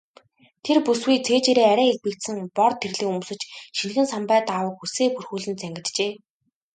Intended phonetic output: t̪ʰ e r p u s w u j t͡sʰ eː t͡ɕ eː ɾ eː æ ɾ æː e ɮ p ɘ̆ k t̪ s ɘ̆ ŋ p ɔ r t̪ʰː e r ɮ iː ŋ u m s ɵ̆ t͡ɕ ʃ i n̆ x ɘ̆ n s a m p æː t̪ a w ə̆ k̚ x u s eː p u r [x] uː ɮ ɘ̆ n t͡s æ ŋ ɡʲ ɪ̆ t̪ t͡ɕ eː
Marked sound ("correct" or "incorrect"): correct